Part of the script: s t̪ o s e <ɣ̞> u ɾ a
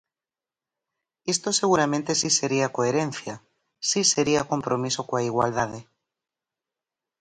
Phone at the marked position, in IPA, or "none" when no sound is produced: ɣ̞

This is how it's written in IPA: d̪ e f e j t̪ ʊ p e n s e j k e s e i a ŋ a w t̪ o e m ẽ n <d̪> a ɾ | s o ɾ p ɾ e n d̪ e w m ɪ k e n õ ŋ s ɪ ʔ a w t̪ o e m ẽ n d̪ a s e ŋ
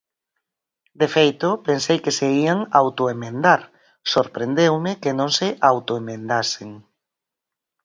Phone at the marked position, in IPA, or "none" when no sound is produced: d̪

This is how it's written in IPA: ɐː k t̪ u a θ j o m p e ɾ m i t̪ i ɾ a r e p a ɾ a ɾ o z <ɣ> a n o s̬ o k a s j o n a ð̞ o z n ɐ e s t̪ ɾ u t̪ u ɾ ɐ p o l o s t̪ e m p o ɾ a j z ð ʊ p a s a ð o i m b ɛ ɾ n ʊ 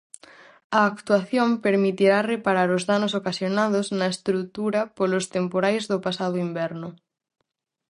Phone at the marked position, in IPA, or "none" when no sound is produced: ð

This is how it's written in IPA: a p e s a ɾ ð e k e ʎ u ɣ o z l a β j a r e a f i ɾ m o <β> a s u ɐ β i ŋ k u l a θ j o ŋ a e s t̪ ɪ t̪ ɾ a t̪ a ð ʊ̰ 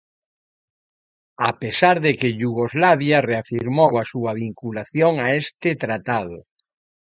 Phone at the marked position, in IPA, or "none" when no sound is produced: w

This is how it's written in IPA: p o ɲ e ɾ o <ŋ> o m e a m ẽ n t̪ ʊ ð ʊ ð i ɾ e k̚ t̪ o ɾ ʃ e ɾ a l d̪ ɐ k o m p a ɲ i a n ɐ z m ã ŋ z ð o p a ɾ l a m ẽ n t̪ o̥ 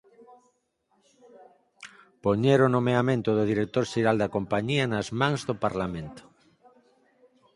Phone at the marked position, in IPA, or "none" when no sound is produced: n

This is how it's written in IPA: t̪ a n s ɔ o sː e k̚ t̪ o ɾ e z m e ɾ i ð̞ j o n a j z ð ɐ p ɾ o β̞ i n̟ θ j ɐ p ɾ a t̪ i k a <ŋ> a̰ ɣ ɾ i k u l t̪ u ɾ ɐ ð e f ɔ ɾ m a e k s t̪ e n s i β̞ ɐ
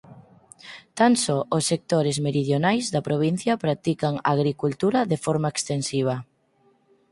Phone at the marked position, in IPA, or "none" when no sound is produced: ŋ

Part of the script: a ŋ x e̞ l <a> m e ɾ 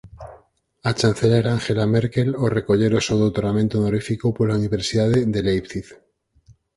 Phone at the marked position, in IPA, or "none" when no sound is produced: a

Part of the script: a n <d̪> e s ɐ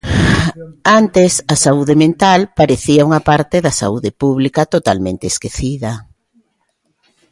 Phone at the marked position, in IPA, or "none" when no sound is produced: t̪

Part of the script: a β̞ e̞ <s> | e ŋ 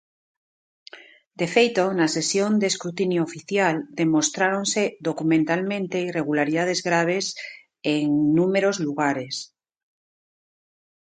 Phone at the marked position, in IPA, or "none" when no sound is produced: s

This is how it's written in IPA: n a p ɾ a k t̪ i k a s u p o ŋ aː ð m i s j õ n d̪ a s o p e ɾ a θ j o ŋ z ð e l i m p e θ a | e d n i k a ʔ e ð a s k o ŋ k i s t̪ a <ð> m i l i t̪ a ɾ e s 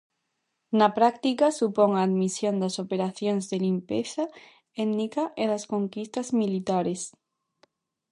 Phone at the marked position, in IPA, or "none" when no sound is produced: z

